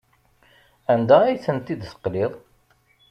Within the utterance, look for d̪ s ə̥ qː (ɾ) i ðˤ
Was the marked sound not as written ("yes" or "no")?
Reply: yes